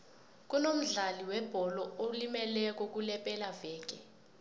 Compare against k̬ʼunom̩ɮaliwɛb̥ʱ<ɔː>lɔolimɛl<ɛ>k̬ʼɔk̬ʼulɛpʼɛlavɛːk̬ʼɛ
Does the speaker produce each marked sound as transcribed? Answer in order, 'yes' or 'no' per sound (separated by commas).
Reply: no, yes